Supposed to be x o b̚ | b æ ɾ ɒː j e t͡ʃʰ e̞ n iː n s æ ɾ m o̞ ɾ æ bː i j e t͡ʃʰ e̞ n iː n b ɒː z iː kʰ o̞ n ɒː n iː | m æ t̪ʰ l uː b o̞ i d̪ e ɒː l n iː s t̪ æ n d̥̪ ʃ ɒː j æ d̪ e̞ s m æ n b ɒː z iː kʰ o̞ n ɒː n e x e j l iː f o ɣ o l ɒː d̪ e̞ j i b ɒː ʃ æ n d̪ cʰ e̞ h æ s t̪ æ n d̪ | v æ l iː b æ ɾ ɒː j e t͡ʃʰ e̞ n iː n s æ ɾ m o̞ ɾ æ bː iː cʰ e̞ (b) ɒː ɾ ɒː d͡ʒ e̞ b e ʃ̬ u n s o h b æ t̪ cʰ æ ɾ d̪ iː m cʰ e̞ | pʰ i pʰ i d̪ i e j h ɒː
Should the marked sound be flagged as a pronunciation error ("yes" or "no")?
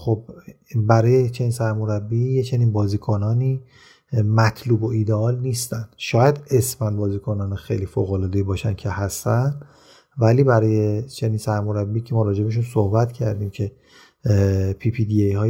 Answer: yes